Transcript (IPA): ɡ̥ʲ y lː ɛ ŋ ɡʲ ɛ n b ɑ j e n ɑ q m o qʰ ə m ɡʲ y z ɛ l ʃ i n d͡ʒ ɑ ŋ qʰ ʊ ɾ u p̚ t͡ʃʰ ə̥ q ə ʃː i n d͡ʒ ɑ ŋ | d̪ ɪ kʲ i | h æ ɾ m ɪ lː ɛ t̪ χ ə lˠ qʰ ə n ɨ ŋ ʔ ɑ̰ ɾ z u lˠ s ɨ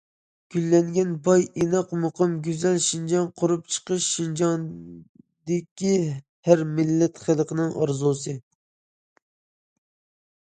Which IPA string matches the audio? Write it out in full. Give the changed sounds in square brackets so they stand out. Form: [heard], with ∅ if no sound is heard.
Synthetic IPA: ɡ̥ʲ y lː ɛ ŋ ɡʲ ɛ n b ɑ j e n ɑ q m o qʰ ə m ɡʲ y z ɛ l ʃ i n d͡ʒ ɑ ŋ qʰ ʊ ɾ u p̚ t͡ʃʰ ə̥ q ə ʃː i n d͡ʒ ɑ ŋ | d̪ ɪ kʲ i | h æ ɾ m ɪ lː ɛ t̪ χ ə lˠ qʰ ə n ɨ ŋ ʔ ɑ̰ ɾ z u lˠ s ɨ